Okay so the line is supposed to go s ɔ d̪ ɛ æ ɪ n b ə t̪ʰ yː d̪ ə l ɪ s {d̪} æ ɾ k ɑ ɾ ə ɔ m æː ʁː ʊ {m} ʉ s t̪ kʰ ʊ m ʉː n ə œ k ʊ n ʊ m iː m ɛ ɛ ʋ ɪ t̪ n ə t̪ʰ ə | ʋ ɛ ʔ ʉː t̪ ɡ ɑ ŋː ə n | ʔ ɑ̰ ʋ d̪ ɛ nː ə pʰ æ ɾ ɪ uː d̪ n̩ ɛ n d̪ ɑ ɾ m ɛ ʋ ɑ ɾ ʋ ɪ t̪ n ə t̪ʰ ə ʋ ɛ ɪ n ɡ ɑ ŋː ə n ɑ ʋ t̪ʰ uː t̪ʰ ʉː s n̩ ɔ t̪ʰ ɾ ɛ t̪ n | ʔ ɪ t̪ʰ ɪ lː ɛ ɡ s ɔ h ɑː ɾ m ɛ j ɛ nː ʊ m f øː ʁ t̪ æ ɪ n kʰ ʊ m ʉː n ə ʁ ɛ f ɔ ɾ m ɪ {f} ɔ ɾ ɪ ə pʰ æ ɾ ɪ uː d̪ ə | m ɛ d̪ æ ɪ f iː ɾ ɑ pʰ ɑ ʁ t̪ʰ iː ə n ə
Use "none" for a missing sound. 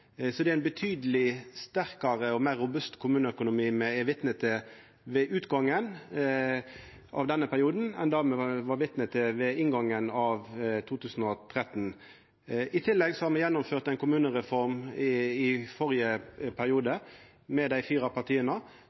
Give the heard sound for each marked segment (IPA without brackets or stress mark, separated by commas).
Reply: t̪, b, f